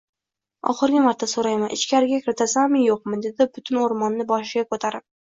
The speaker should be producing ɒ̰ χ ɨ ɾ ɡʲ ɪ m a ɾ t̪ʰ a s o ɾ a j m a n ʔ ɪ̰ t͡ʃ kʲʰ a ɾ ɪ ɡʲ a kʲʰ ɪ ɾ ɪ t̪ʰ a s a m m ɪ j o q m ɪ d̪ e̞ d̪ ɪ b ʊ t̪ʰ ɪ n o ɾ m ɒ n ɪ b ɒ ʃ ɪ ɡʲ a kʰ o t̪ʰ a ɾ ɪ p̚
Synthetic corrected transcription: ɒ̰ χ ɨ ɾ ɡʲ ɪ m a ɾ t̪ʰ a s o ɾ a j m a n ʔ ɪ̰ t͡ʃ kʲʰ a ɾ ɪ ɡʲ a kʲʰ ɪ ɾ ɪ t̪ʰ a s a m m ɪ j o q m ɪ d̪ e̞ d̪ ɪ b ʊ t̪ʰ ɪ n o ɾ m ɒ nː ɪ b ɒ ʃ ɪ ɡʲ a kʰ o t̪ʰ a ɾ ɪ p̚